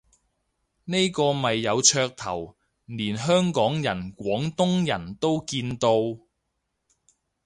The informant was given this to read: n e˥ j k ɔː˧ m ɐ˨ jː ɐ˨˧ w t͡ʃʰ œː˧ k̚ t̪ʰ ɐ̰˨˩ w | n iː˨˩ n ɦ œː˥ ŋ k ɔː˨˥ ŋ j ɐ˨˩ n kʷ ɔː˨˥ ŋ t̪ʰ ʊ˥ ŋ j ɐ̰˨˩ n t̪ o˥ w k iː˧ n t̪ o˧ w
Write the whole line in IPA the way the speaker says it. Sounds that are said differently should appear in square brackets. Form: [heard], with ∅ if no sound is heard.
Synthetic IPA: n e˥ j k ɔː˧ m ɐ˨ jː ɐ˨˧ w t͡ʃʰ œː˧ k̚ t̪ʰ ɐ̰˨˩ w | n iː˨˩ n ɦ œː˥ ŋ k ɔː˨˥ ŋ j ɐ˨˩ n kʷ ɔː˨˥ ŋ [t̪] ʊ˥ ŋ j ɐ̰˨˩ n t̪ o˥ w k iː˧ n t̪ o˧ w

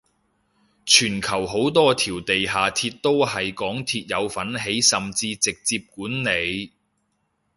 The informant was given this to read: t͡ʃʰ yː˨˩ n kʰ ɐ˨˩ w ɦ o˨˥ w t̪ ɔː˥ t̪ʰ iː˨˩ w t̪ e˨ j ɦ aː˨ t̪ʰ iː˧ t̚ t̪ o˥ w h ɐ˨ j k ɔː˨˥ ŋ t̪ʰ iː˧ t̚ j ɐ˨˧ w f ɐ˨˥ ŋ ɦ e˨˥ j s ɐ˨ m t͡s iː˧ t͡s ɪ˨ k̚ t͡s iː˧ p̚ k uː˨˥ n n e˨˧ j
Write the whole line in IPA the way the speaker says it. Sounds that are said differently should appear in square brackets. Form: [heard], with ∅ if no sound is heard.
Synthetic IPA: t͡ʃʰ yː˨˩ n kʰ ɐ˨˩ w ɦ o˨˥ w t̪ ɔː˥ t̪ʰ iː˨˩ w t̪ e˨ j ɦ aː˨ t̪ʰ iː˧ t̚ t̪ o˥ w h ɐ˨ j k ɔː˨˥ ŋ t̪ʰ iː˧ t̚ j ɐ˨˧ w f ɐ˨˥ [n] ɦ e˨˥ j s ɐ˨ m t͡s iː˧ t͡s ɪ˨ k̚ t͡s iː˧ p̚ k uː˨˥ n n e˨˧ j

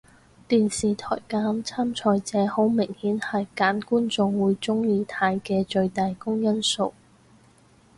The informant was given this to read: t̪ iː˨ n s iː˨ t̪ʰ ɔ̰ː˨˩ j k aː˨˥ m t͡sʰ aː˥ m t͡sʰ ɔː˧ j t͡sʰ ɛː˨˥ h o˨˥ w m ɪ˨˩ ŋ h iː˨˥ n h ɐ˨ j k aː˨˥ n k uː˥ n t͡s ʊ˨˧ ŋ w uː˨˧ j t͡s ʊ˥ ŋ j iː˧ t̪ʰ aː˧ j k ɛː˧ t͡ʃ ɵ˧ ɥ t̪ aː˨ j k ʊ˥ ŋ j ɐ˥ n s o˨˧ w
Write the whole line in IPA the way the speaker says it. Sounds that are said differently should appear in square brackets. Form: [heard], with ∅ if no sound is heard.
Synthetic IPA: t̪ iː˨ n s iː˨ t̪ʰ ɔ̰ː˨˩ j k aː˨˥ m t͡sʰ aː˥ m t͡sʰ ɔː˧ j [t͡s] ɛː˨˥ h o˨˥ w m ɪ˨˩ ŋ h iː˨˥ n h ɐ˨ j k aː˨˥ n k uː˥ n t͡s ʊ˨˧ ŋ w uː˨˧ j t͡s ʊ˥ ŋ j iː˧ t̪ʰ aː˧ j k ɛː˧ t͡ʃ ɵ˧ ɥ t̪ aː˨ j k ʊ˥ ŋ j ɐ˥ n s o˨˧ w

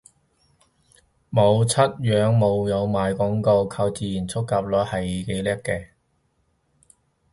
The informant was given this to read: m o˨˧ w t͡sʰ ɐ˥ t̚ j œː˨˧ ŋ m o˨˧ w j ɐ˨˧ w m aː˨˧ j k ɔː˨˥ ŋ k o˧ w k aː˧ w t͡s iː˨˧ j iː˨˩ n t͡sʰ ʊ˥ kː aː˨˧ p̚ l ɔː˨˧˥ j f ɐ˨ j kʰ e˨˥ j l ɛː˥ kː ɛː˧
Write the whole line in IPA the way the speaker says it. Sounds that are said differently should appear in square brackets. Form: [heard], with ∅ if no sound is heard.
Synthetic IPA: m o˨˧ w t͡sʰ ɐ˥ t̚ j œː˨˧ ŋ m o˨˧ w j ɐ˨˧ w m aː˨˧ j k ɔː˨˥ ŋ k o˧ w [kʰ] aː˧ w t͡s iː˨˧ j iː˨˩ n t͡sʰ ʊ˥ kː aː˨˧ p̚ l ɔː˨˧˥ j [h] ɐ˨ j [k] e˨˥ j l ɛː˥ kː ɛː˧

